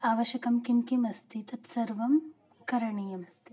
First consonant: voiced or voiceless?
voiced